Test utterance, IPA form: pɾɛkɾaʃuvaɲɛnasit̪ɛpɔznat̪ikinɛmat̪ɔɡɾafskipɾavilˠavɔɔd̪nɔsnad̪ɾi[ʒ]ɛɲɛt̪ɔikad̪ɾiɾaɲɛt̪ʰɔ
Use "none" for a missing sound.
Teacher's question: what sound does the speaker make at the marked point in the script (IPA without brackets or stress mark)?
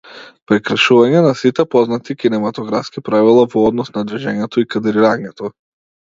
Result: ʒ